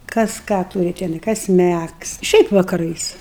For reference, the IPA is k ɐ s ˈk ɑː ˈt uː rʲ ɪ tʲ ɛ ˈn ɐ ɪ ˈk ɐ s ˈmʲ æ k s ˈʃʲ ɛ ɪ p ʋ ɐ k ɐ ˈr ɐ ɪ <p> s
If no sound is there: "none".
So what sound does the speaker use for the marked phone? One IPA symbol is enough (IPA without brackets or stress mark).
none